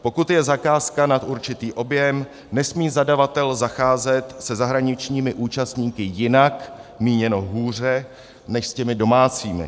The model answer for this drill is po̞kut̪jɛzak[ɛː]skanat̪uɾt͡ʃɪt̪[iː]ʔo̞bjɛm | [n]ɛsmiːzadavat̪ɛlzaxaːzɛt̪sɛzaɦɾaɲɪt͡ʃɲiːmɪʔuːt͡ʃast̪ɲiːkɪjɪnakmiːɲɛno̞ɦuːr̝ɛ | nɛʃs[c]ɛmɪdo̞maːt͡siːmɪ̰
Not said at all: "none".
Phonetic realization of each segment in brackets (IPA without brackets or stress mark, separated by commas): aː, iː, n, c